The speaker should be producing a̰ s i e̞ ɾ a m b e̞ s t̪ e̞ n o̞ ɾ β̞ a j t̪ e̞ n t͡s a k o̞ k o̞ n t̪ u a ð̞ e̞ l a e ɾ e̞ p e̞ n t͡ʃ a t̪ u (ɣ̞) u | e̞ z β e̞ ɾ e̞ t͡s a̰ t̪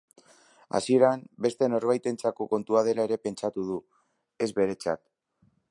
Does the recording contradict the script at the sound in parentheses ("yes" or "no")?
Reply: yes